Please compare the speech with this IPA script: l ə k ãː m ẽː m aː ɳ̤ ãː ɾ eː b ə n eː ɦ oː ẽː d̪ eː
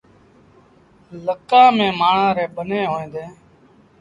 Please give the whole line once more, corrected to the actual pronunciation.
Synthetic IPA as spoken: l ə k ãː m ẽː m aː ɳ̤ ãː ɾ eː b ə n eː ɦ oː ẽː d̪ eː